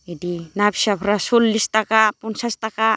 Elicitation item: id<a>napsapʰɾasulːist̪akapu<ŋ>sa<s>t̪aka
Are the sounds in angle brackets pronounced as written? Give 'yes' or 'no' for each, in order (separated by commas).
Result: no, no, yes